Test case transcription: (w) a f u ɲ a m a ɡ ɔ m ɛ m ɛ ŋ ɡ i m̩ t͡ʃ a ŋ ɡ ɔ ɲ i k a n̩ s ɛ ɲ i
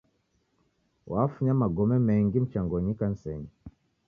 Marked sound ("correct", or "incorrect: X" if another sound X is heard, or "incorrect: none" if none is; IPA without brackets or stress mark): correct